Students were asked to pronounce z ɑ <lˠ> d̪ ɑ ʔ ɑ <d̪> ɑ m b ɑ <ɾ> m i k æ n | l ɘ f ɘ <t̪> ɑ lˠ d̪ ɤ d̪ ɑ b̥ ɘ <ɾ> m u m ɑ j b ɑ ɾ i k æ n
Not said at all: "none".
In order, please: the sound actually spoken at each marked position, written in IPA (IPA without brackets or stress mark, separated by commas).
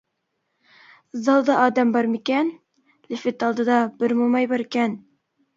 lˠ, d̪, ɾ, t̪, ɾ